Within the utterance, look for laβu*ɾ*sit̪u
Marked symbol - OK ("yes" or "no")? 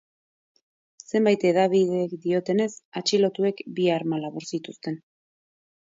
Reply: yes